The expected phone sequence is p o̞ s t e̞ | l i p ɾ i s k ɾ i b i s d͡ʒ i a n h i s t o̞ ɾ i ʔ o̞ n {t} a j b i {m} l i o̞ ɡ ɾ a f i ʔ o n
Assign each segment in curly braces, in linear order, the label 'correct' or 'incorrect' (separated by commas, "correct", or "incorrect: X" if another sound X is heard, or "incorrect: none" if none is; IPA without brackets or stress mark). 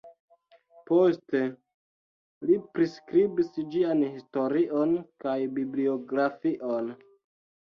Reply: incorrect: k, incorrect: b